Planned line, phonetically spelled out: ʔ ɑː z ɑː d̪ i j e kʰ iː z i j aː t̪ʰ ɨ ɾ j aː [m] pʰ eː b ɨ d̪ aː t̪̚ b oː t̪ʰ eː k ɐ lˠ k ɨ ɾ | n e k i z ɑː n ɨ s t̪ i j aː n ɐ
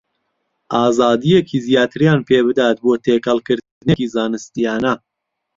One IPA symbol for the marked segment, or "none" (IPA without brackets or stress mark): n